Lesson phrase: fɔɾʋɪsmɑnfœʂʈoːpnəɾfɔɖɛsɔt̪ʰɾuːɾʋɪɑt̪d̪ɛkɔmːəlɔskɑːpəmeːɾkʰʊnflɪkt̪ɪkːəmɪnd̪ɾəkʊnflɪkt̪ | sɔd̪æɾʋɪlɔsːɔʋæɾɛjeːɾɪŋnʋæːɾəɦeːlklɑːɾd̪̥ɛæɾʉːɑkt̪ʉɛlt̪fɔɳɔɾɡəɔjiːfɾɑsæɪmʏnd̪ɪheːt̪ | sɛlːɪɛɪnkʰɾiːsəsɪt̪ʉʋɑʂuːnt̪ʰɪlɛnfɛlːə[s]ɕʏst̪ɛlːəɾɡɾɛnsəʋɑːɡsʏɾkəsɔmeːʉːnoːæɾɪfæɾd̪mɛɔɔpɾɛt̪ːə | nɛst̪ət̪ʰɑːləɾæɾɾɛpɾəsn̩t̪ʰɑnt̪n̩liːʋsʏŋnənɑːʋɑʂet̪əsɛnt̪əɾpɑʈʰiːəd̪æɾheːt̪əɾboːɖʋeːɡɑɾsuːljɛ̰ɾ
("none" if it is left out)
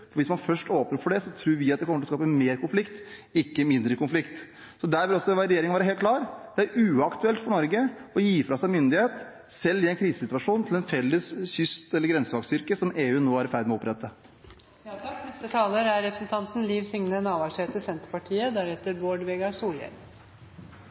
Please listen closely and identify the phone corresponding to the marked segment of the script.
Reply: s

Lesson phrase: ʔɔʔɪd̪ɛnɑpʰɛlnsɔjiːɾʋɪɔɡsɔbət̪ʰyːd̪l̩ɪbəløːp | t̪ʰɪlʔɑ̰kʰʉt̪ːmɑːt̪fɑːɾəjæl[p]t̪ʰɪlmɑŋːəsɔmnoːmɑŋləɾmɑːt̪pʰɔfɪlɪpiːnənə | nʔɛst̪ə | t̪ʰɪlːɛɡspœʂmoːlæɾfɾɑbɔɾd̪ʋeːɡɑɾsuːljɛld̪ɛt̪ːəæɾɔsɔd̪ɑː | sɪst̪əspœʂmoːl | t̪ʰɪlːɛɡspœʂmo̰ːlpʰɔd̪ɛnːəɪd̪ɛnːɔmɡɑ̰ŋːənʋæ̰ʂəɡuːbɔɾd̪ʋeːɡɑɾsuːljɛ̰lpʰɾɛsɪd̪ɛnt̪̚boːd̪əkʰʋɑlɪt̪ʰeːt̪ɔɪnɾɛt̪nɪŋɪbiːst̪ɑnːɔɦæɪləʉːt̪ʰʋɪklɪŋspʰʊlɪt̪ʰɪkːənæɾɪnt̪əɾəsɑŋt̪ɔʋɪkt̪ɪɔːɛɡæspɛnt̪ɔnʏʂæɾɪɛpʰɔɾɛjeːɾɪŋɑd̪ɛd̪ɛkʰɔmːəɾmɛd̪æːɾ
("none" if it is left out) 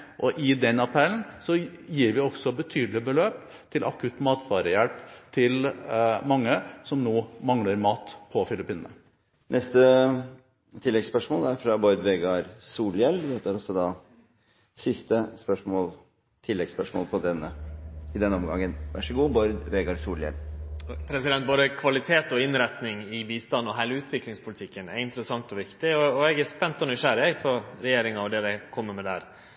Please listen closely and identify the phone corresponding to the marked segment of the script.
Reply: p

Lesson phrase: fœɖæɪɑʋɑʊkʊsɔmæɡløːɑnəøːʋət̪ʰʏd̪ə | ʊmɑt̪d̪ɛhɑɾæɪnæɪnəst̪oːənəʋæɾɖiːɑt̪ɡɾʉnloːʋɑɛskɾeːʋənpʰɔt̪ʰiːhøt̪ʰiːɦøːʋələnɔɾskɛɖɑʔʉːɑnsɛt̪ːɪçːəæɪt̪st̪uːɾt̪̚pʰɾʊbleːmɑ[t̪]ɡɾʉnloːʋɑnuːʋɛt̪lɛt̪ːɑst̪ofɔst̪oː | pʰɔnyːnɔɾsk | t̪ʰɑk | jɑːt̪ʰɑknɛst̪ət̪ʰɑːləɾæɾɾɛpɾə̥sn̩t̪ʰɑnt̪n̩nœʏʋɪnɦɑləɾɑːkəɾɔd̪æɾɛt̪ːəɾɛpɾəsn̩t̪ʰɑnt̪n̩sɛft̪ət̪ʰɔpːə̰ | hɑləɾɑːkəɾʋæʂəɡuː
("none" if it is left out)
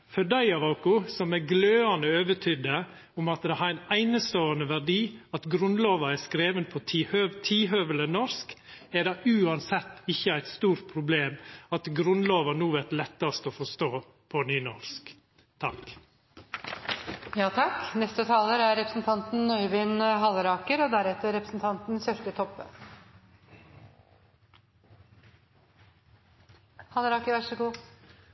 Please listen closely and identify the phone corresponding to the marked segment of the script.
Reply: t̪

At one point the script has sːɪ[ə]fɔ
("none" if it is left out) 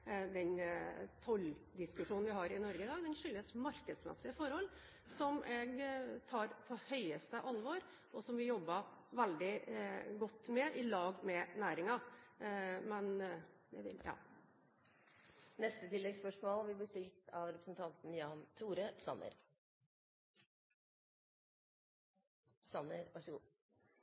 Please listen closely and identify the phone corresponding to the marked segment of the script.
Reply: ə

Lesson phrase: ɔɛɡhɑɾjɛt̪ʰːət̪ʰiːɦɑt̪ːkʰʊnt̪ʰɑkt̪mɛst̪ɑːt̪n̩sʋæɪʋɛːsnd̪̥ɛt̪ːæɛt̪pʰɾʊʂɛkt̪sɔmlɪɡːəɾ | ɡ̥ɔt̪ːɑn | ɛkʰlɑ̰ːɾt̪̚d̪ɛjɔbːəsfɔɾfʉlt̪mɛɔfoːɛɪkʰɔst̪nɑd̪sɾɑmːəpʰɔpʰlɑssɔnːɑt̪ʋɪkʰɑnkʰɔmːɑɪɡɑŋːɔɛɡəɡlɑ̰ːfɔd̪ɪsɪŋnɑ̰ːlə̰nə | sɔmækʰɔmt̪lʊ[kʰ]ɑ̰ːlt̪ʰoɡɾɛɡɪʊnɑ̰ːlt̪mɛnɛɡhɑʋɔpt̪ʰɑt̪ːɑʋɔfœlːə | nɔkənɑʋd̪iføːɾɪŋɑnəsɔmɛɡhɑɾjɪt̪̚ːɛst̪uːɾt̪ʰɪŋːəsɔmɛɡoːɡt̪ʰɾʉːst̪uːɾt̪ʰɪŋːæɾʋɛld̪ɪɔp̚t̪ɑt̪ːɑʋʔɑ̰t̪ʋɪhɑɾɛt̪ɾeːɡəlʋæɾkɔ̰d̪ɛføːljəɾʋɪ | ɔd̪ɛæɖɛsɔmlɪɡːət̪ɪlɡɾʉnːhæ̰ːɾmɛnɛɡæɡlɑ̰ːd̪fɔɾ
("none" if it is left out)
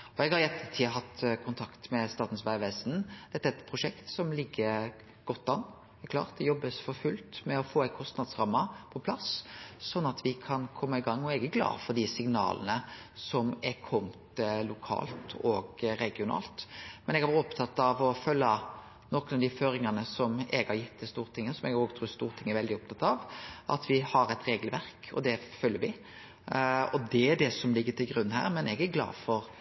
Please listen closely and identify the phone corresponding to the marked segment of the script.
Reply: kʰ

